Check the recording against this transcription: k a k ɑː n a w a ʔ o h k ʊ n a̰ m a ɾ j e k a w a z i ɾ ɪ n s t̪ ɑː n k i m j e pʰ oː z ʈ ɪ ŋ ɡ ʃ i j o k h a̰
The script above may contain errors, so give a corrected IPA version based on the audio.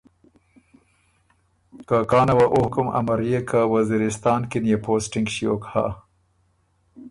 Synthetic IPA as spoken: k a k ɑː n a w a ʔ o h k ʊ m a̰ m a ɾ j e k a w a z i ɾ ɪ s t̪ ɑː n k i n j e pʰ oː s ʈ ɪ ŋ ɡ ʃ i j o k h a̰